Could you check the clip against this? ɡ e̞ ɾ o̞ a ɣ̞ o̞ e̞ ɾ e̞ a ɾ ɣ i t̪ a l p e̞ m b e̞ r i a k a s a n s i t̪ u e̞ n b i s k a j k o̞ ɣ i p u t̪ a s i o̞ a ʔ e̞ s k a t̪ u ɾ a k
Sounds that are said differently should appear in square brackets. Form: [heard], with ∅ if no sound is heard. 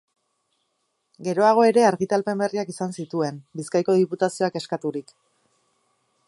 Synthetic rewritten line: ɡ e̞ ɾ o̞ a ɣ̞ o̞ e̞ ɾ e̞ a ɾ ɣ i t̪ a l p e̞ m b e̞ r i a k [i] s a n s i t̪ u e̞ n b i s k a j k o̞ [ð] i p u t̪ a s i o̞ a [k] e̞ s k a t̪ u ɾ [i] k